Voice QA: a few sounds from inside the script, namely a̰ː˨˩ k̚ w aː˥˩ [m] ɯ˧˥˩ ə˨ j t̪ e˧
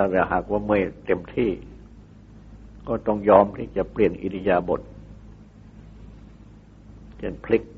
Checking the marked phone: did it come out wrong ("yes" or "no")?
no